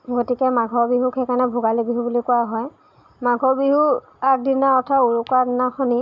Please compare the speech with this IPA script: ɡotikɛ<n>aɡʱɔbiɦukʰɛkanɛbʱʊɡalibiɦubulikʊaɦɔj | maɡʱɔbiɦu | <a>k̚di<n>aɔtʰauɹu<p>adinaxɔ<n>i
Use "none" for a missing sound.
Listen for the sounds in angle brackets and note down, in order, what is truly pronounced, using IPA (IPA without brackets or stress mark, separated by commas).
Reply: m, a, n, k, n